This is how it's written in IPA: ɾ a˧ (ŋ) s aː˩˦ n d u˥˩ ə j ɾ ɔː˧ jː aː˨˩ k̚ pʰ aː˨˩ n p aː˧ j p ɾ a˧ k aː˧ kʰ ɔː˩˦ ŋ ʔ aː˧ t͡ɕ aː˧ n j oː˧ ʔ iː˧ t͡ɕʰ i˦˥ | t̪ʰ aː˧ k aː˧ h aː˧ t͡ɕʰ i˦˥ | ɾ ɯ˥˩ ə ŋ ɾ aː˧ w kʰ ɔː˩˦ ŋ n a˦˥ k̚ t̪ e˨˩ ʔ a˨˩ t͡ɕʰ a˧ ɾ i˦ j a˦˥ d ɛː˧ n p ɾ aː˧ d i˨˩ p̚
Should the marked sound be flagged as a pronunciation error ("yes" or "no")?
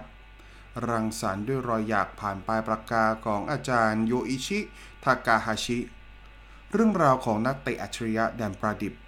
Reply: no